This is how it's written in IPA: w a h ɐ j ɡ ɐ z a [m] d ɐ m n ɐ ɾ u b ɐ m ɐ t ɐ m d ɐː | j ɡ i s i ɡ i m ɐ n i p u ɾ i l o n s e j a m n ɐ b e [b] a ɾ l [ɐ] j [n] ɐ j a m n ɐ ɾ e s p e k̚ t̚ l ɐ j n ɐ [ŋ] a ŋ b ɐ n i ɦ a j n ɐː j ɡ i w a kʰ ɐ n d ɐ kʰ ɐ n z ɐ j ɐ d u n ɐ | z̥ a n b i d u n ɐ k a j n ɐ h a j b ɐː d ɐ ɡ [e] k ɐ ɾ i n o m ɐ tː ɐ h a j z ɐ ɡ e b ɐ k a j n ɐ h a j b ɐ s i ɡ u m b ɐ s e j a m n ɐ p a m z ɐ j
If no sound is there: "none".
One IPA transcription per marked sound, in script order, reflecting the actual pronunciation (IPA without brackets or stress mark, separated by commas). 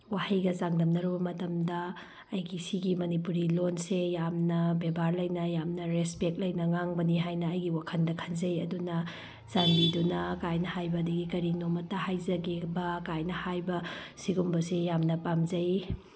ŋ, b, ɐ, n, ŋ, i